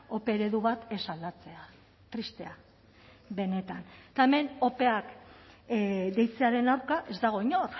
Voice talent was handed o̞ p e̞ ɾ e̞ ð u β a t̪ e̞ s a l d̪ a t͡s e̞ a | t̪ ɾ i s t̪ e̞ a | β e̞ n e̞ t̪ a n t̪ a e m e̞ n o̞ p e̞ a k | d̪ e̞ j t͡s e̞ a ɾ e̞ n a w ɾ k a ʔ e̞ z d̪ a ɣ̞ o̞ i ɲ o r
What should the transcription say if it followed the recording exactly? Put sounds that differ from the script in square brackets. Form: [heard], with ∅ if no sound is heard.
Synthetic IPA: o̞ p e̞ ɾ e̞ ð u β a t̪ e̞ s a l d̪ a t͡s e̞ a | t̪ ɾ i s t̪ e̞ a | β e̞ n e̞ t̪ a n t̪ a e m e̞ n o̞ p e̞ a k | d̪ e̞ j t͡s e̞ a ɾ e̞ n a w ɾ k a ʔ e̞ z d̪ a ɣ̞ o̞ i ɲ o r